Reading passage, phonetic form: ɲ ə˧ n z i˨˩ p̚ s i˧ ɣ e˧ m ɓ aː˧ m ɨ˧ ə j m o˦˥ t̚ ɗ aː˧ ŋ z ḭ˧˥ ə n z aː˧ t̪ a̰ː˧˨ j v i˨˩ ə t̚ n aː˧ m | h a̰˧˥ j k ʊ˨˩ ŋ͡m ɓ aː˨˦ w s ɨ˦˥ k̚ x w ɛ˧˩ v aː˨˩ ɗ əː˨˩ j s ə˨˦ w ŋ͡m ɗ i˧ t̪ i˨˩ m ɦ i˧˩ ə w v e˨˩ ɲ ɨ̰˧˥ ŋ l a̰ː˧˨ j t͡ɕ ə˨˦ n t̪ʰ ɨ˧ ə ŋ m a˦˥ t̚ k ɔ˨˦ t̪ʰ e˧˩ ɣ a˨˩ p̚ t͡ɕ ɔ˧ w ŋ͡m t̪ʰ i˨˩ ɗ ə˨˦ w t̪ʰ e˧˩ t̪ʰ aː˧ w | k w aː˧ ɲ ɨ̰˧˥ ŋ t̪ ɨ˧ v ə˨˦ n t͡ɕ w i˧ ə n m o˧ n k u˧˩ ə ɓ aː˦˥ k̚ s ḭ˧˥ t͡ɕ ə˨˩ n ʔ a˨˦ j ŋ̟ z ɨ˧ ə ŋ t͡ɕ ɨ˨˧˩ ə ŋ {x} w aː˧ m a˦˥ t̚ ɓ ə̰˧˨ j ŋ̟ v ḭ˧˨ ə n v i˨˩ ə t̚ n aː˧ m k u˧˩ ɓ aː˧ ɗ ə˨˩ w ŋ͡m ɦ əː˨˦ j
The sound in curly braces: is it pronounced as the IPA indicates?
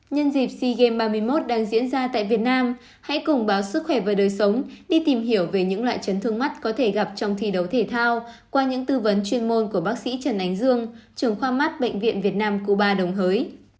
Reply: yes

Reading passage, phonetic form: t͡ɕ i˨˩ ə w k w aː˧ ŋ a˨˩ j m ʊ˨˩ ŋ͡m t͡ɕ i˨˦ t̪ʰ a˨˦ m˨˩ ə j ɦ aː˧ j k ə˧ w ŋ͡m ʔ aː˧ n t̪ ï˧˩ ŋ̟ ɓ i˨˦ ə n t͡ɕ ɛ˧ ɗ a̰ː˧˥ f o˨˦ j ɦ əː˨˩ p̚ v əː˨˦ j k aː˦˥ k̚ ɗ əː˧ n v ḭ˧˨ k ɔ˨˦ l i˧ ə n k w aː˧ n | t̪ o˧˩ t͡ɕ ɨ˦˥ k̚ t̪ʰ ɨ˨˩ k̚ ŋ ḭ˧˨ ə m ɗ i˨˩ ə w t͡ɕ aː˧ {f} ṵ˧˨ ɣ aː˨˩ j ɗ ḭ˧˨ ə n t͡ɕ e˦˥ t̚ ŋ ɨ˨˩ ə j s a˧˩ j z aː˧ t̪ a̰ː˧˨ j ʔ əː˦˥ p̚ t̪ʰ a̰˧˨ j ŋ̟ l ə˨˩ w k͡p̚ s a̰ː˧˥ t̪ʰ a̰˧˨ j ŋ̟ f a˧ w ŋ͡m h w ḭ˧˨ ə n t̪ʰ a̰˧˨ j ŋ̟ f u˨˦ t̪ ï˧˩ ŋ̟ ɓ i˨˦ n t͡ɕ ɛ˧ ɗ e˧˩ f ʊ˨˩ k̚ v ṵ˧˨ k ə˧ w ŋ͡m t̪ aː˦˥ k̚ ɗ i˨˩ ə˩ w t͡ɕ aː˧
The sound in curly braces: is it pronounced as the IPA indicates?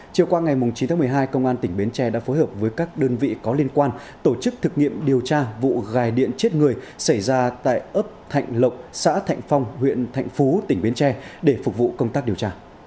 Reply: no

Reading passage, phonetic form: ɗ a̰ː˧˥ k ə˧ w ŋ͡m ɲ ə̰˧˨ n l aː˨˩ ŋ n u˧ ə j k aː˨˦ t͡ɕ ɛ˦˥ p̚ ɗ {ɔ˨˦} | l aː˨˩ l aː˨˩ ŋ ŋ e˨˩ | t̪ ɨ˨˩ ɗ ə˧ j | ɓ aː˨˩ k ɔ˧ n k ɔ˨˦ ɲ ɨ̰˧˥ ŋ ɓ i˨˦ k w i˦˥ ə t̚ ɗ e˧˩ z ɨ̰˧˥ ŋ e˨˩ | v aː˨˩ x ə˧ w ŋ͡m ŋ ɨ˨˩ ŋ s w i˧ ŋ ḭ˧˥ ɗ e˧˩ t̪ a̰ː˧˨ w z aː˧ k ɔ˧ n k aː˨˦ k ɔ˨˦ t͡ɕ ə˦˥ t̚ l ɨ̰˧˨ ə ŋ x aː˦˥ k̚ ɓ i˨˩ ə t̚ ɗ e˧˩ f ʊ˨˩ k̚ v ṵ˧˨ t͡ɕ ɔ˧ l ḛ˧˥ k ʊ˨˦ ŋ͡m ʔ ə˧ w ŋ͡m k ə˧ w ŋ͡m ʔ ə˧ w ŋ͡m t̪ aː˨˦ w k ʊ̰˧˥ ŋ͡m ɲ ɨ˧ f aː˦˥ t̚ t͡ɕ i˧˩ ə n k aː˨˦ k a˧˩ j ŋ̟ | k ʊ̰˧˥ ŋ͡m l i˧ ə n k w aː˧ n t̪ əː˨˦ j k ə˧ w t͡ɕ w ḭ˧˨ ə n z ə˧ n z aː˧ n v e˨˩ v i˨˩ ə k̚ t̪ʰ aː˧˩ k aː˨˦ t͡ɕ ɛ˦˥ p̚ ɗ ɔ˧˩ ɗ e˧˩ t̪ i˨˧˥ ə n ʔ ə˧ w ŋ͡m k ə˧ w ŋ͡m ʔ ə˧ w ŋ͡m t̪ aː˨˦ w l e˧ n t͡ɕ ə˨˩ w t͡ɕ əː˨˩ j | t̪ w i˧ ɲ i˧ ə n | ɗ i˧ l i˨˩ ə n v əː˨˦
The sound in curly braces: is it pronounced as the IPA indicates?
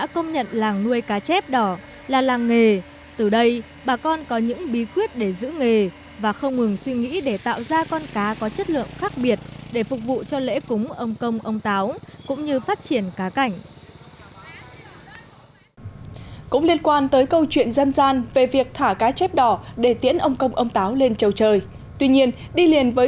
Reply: no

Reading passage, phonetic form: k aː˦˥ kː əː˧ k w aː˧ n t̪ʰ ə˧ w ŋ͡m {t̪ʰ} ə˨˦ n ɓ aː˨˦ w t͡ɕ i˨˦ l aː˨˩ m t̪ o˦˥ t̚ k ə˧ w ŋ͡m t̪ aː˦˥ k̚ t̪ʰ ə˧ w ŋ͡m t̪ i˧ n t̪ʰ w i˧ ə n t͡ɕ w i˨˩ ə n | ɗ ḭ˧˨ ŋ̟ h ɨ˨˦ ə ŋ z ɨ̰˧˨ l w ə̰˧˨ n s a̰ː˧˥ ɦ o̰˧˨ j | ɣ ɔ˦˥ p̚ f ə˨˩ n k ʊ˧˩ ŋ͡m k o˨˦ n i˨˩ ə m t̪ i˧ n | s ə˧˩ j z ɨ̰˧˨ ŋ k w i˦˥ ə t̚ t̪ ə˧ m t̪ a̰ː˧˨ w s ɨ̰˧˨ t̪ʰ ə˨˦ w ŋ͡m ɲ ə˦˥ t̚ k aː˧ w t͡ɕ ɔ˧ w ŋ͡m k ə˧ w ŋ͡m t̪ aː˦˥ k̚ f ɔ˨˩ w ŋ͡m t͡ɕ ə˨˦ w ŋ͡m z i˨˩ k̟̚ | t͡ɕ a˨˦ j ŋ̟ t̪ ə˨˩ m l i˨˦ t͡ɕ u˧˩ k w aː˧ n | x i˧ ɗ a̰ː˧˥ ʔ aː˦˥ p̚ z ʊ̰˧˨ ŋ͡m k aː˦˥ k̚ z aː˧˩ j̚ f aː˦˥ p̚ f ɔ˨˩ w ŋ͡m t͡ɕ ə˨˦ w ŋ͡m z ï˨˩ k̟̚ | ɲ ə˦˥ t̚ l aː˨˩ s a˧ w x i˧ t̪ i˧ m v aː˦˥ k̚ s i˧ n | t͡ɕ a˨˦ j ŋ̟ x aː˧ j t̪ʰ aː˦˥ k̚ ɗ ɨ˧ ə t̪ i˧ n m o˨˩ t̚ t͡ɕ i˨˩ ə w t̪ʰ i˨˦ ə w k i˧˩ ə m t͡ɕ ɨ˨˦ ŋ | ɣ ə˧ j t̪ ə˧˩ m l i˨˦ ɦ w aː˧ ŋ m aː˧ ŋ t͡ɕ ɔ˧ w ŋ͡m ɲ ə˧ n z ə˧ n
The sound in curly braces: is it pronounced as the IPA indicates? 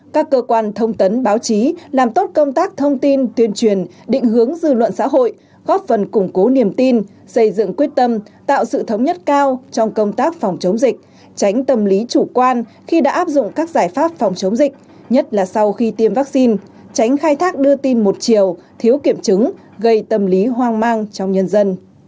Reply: no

